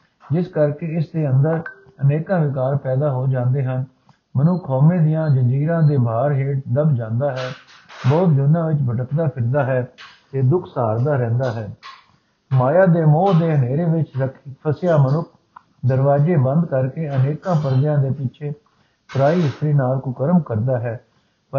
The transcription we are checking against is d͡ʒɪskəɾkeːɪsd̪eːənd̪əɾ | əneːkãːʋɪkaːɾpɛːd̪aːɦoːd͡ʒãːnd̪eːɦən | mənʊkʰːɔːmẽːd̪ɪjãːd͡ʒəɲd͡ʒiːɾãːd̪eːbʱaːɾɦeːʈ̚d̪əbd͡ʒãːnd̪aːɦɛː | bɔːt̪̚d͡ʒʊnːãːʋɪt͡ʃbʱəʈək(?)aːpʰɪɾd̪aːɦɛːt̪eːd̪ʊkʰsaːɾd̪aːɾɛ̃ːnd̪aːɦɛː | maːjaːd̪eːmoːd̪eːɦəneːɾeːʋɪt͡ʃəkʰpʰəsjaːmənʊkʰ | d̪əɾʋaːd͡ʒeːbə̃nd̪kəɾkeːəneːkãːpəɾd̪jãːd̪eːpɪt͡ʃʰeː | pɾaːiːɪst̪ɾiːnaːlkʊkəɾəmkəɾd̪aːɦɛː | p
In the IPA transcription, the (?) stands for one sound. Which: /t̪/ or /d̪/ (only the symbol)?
d̪